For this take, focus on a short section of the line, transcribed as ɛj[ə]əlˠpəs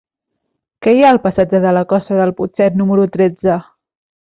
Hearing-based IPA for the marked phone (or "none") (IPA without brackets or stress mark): a